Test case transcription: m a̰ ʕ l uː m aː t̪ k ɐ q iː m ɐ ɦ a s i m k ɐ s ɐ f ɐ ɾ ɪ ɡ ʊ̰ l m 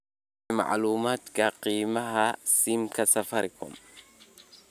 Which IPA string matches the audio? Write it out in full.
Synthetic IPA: m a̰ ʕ l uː m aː t̪ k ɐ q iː m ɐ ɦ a s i m k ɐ s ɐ f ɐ ɾ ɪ k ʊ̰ m